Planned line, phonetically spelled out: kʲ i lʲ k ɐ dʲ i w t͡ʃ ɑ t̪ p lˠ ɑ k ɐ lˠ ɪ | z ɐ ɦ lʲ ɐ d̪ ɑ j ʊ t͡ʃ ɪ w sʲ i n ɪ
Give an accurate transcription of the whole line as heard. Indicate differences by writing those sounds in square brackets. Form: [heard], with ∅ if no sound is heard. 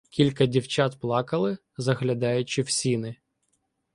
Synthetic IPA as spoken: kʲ i lʲ k ɐ dʲ i w t͡ʃ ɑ t̪ p lˠ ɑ k ɐ lˠ ɪ | z ɐ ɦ lʲ ɐ d̪ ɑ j ʊ t͡ʃ ɪ w sʲ i n ɪ